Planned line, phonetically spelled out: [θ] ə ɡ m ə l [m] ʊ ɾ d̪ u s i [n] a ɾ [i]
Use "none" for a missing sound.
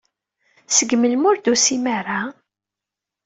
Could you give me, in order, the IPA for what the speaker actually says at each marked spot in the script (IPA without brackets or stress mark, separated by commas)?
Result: s, m, m, a